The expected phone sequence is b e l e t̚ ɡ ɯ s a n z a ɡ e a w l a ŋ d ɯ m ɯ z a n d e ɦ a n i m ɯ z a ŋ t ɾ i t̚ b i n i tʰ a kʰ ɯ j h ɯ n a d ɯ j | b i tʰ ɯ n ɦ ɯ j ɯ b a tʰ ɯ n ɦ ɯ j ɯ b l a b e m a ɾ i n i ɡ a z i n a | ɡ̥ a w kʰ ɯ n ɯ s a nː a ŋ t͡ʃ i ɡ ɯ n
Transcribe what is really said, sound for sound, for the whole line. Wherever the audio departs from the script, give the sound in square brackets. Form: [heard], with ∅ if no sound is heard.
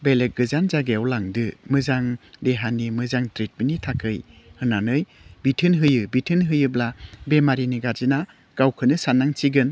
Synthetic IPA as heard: b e l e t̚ ɡ ɯ [z] a n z a ɡ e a w l a ŋ d ɯ m ɯ z a [ŋ] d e ɦ a n i m ɯ z a ŋ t ɾ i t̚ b i n i tʰ a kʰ ɯ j h ɯ n a [n] ɯ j | b i tʰ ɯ n ɦ ɯ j ɯ b [i] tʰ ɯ n ɦ ɯ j ɯ b l a b e m a ɾ i n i ɡ a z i n a | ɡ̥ a w kʰ ɯ n ɯ s a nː a ŋ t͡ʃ i ɡ ɯ n